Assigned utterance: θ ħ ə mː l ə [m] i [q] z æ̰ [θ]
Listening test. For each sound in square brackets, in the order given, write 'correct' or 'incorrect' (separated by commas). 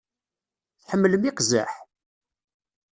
correct, correct, incorrect